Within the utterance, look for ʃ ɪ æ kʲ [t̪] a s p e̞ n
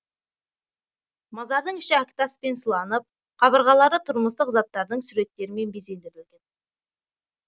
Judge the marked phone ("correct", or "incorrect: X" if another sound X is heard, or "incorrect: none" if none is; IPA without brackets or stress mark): correct